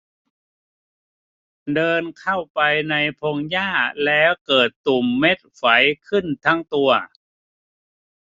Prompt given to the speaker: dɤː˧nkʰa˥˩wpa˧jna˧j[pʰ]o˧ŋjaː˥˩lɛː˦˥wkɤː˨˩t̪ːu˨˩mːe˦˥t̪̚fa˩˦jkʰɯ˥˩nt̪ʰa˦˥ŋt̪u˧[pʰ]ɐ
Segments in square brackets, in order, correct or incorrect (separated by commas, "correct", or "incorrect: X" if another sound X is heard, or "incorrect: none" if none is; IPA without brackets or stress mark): correct, incorrect: none